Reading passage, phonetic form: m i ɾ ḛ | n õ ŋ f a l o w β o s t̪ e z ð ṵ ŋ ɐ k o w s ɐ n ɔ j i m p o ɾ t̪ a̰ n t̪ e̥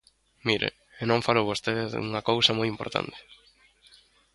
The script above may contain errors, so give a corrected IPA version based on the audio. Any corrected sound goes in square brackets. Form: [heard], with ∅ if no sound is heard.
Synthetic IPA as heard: m i ɾ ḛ | n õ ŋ f a l o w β o s t̪ e [ð] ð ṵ ŋ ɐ k o w s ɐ [m] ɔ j i m p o ɾ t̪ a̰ n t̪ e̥

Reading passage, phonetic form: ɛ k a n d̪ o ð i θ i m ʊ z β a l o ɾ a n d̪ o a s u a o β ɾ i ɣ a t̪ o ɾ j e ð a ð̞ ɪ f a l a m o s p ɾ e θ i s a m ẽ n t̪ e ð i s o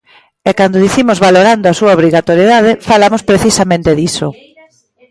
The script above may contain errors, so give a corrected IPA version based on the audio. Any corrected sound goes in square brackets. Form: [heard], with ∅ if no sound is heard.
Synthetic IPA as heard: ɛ k a n d̪ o ð i θ i m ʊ z β a l o ɾ a n d̪ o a s u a o β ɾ i ɣ a t̪ o ɾ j e ð a ð̞ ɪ f a l a m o s p ɾ e θ i s a m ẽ n t̪ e ð i s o

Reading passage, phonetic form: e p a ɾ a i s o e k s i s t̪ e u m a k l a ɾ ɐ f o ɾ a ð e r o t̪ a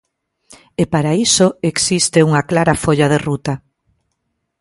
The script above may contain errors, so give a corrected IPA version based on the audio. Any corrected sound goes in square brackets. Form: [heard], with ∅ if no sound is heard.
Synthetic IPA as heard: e p a ɾ a i s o e k s i s t̪ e u [ŋ] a k l a ɾ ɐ f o [ʎ] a ð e r [u] t̪ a

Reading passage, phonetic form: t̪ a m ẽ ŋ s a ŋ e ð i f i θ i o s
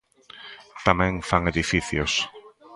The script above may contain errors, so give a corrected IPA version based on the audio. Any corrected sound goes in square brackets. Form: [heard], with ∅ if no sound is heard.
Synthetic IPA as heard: t̪ a m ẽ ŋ [f] a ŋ e ð i f i θ [j] o s

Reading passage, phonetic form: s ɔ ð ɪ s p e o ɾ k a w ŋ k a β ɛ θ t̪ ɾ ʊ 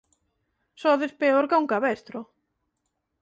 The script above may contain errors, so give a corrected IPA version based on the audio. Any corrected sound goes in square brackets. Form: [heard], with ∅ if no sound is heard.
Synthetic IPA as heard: s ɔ ð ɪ s p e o ɾ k a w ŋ k a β ɛ [s] t̪ ɾ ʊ

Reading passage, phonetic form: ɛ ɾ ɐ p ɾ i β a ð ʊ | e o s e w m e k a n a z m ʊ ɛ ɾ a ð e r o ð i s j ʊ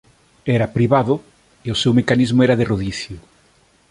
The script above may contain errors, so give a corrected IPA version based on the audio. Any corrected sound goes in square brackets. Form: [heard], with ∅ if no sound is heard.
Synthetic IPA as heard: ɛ ɾ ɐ p ɾ i β a ð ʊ | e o s e w m e k a n [i] z m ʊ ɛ ɾ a ð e r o ð i [θ] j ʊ

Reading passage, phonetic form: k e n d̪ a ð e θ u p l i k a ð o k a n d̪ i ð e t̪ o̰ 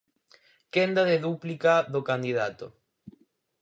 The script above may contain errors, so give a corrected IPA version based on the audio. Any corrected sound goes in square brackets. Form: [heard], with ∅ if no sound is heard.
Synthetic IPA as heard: k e n d̪ a ð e [ð] u p l i k a ð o k a n d̪ i ð [a] t̪ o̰

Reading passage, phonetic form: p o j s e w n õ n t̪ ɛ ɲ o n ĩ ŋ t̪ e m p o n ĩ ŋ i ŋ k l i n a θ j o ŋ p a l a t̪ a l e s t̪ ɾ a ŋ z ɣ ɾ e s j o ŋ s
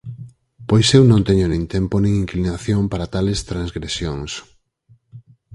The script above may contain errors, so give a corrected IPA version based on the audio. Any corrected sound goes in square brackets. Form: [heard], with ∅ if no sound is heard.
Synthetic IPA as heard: p o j s e w n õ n t̪ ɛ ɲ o n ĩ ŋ t̪ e m p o n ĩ ŋ i ŋ k l i n a θ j o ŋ p a [ɾ] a t̪ a l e s t̪ ɾ a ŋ z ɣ ɾ e s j o ŋ s

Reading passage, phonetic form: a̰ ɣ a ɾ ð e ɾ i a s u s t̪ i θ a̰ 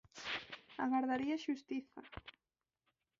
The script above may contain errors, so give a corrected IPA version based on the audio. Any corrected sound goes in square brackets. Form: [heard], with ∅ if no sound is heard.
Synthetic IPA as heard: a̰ ɣ a ɾ ð [a] ɾ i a [ʃ] u s t̪ i θ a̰

